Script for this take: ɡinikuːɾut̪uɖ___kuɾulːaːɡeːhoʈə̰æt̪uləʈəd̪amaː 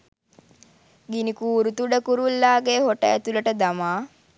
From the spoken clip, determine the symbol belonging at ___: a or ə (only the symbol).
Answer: ə